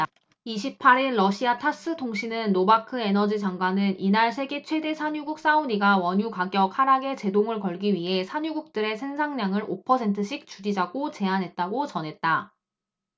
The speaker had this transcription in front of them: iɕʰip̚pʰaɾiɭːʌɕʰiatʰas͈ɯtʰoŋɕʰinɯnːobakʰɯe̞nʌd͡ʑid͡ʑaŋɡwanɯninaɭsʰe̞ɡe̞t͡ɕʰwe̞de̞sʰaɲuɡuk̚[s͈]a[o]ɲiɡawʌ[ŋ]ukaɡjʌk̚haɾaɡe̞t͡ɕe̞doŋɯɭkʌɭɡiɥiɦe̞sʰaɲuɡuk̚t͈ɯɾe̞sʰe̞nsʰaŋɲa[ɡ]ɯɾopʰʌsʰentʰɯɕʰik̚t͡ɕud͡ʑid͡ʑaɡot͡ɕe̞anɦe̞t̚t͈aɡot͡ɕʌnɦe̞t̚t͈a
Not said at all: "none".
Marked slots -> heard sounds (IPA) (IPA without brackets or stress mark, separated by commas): s͈, u, ɲ, ŋ